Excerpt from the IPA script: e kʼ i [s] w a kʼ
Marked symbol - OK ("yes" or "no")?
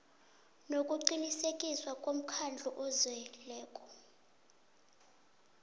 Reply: yes